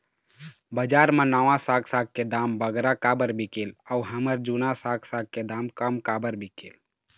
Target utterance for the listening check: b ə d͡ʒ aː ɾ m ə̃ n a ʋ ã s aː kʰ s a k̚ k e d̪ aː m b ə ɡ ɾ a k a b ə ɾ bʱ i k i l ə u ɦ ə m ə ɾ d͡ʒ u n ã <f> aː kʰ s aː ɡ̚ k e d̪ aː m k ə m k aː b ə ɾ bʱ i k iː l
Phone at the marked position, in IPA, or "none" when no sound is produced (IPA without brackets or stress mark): s